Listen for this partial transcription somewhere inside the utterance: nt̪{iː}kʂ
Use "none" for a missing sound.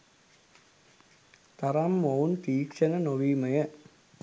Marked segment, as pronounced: iː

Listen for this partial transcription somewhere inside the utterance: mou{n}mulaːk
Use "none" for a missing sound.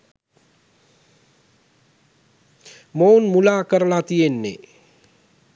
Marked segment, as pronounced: n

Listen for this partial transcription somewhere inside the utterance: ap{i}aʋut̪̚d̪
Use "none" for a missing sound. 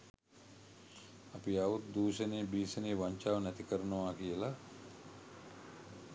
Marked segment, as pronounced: i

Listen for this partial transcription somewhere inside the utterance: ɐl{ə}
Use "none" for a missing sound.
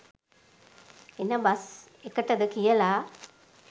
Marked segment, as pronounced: a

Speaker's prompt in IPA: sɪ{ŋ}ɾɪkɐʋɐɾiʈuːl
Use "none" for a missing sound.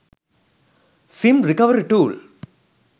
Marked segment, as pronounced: m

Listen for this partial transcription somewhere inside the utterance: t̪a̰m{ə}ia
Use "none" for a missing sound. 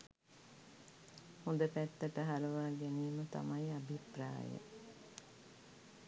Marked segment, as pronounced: a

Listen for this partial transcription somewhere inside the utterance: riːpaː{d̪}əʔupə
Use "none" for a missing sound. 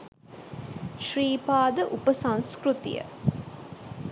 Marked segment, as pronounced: d̪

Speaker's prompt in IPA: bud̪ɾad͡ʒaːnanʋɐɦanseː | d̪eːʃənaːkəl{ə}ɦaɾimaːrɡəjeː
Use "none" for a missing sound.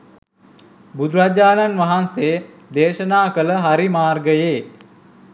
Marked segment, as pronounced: ə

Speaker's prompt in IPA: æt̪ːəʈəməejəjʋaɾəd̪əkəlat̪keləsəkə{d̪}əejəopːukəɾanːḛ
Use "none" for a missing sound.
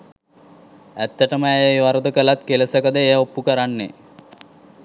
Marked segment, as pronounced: d̪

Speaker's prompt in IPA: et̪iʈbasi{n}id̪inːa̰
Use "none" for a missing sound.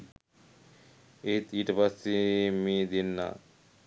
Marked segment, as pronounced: m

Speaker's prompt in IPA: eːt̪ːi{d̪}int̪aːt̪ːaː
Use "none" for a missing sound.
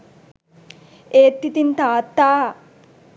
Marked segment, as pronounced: t̪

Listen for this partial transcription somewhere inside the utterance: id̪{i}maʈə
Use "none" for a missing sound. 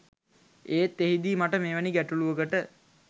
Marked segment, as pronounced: iː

